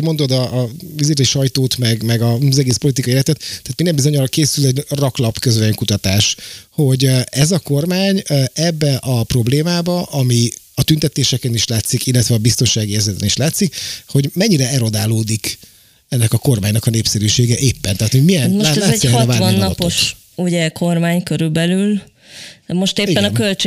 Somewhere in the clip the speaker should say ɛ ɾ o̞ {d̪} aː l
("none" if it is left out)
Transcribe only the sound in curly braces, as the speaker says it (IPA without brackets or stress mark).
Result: d̪